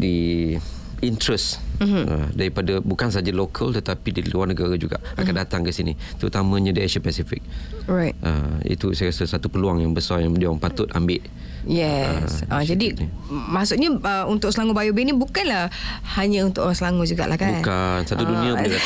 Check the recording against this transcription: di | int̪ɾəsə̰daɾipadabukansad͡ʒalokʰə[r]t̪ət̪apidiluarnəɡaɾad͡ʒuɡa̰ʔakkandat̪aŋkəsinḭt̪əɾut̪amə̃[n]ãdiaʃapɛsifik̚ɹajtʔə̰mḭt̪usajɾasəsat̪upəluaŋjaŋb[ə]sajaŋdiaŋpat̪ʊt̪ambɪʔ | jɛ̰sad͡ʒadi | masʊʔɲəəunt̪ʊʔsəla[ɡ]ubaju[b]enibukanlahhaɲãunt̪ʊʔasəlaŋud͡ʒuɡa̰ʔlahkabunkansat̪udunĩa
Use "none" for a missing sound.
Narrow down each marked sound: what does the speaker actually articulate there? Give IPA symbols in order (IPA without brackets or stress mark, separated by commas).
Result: l, ɲ, ə, ŋ, b